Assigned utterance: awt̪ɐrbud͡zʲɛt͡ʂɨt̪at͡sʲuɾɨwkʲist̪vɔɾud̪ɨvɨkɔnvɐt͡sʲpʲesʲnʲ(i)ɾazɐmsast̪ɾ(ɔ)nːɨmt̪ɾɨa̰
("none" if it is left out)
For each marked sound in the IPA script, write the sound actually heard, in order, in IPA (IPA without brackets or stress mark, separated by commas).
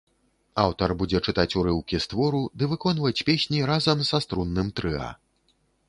i, u